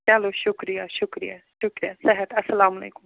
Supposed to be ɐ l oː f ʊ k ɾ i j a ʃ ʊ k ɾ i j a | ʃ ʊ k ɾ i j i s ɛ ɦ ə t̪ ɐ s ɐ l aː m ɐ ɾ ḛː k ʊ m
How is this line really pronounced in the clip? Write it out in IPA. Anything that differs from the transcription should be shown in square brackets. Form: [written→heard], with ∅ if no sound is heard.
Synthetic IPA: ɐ l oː [f→ʃ] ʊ k ɾ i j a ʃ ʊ k ɾ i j a | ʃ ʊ k ɾ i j [i→a] s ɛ ɦ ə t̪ ɐ s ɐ l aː m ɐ [ɾ→l] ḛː k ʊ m

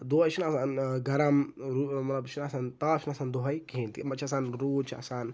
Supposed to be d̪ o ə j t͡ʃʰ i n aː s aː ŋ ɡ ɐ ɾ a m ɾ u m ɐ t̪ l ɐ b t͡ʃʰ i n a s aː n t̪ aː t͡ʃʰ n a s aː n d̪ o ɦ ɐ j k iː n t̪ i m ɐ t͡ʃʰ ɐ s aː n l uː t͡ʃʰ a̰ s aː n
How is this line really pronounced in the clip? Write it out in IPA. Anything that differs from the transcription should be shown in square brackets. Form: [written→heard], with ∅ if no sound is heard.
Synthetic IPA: d̪ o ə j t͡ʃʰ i n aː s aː [ŋ→n] ɡ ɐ ɾ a m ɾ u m ɐ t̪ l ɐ b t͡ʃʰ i n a s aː n t̪ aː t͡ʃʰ n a s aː n d̪ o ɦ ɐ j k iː n t̪ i m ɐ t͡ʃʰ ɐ s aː n [l→ɾ] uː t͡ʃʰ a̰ s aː n

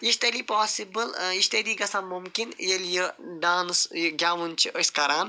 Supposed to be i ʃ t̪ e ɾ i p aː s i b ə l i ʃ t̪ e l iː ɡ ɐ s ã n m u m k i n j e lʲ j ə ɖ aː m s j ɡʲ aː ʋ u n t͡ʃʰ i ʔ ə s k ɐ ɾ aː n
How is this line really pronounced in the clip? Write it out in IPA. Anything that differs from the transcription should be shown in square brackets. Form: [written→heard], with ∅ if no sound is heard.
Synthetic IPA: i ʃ t̪ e [ɾ→l] i p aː s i b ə l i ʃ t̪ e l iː ɡ ɐ s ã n m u m k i n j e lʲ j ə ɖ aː [m→n] s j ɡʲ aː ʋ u n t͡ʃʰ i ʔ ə s k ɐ ɾ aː n

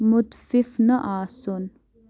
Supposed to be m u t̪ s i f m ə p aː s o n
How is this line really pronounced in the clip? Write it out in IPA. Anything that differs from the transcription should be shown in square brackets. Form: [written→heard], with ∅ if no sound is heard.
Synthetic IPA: m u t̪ [s→f] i f [m→n] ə [p→ʔ] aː s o n

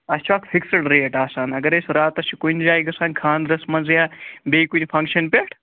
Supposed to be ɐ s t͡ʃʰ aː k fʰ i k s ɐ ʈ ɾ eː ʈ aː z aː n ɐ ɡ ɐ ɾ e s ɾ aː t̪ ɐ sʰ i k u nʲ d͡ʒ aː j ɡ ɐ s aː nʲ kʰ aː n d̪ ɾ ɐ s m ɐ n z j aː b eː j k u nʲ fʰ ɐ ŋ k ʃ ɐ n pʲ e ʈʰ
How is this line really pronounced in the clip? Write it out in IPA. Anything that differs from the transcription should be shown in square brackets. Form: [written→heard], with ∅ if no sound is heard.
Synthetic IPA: ɐ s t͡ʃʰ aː k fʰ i k s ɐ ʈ ɾ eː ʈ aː [z→s] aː n ɐ ɡ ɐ ɾ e s ɾ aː t̪ ɐ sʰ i k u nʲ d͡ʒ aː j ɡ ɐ s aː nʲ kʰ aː n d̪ ɾ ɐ s m ɐ n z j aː b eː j k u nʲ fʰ ɐ ŋ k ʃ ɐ n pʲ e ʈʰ

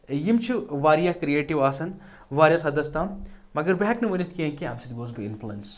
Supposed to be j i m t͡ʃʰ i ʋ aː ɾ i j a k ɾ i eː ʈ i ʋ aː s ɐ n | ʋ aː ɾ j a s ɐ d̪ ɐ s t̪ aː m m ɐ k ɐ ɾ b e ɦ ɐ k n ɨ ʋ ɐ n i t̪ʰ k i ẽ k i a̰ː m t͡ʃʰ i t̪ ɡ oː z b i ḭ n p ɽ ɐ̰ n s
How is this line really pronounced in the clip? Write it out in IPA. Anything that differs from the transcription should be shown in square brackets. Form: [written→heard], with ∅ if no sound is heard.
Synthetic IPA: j i m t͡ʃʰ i ʋ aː ɾ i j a k ɾ i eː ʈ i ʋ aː s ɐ n | ʋ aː ɾ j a s ɐ d̪ ɐ s t̪ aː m m ɐ [k→ɡ] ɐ ɾ b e ɦ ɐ k n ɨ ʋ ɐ n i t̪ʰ k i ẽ k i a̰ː m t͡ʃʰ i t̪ ɡ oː z b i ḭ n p [ɽ→l] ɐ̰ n s

